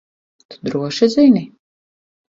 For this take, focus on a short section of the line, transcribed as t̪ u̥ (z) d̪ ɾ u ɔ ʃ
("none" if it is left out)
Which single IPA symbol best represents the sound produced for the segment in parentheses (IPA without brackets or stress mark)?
none